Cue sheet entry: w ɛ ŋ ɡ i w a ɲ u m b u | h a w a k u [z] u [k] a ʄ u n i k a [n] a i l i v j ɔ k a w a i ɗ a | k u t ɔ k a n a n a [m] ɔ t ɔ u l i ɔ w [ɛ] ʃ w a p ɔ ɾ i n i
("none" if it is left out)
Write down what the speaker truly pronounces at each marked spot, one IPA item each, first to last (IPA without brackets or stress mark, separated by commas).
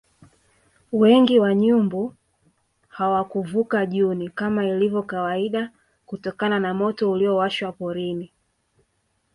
v, k, m, m, a